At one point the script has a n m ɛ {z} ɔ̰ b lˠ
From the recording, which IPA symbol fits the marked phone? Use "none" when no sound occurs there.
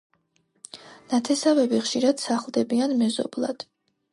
z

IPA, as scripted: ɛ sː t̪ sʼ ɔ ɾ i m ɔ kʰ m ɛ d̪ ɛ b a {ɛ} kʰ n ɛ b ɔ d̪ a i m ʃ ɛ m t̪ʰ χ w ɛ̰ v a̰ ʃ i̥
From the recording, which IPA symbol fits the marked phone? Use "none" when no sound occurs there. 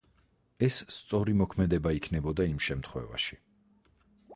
i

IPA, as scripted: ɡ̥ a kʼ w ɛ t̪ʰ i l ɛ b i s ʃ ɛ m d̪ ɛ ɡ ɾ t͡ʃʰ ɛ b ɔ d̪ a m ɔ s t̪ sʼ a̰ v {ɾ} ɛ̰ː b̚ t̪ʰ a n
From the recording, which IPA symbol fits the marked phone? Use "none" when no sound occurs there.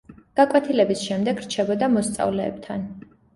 l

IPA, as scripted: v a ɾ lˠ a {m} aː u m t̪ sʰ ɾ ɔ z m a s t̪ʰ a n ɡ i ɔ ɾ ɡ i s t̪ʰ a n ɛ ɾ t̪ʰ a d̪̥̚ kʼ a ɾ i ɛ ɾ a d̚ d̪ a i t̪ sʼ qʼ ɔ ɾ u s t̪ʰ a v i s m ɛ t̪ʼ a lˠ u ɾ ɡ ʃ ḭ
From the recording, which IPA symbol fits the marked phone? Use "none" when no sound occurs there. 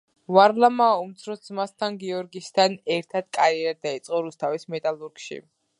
m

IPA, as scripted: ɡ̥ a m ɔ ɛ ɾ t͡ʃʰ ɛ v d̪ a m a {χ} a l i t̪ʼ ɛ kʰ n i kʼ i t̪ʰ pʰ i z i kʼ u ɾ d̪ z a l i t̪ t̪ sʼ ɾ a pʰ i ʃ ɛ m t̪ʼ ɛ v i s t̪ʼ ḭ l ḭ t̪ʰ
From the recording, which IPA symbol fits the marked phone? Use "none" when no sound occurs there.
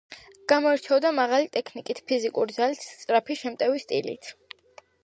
ʁ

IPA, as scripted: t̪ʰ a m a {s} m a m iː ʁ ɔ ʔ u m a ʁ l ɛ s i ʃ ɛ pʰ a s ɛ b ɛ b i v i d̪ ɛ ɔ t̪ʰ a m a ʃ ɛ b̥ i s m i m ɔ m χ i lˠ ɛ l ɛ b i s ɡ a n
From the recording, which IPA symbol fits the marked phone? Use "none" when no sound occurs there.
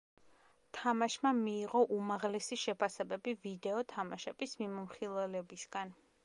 ʃ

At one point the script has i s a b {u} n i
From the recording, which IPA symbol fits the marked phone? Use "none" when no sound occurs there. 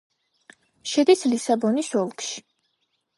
ɔ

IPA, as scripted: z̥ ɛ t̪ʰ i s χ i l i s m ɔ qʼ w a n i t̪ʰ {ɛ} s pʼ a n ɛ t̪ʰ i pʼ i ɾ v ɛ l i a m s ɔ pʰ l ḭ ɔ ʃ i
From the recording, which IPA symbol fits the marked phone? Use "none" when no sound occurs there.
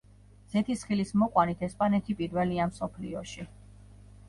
ɛ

